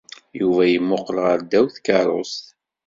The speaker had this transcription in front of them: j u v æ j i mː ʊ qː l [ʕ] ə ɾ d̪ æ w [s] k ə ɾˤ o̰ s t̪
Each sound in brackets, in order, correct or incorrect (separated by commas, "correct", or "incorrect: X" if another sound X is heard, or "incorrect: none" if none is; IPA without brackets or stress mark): incorrect: ʁ, incorrect: θ